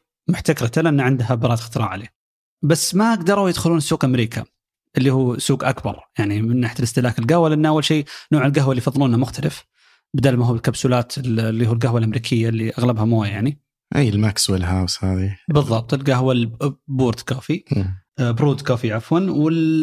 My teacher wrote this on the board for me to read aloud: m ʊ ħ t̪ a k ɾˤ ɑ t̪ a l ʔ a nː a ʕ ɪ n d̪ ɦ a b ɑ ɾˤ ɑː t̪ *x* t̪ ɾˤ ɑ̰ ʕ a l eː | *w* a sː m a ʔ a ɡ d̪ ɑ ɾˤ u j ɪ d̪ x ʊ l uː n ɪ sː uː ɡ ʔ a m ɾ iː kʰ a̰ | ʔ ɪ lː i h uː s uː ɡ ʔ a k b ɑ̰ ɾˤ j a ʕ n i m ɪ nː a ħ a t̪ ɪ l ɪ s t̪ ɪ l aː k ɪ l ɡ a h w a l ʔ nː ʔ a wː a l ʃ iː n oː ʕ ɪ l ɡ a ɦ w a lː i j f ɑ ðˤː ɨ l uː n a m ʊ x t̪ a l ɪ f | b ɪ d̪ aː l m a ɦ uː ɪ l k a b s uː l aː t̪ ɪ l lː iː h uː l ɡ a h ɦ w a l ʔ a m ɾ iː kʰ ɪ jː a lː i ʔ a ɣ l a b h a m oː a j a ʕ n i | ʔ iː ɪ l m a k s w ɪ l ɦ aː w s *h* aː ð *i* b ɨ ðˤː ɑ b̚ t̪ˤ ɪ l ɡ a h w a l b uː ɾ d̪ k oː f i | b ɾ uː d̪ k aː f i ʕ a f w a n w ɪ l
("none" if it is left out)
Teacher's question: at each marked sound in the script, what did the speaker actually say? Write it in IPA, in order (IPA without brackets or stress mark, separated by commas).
x, b, h, i